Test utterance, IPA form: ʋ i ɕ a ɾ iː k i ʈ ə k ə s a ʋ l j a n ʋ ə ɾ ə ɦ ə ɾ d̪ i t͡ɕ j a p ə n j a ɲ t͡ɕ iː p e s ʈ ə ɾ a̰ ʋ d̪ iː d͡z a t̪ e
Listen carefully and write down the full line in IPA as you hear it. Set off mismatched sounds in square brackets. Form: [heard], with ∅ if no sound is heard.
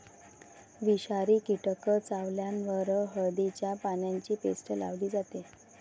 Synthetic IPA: ʋ i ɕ a ɾ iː k i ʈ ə k ə [t͡s] a ʋ l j a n ʋ ə ɾ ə ɦ ə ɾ d̪ i t͡ɕ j a p [a] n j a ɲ t͡ɕ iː p e s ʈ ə [l] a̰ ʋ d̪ iː d͡z a t̪ e